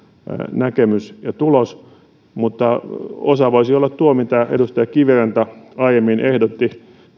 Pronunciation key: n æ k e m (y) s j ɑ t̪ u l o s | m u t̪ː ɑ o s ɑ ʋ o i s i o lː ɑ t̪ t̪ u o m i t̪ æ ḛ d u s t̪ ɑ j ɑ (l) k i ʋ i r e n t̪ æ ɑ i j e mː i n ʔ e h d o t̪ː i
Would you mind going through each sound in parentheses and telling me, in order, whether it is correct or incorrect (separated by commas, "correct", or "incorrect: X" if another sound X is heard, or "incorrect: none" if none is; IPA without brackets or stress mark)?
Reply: correct, incorrect: none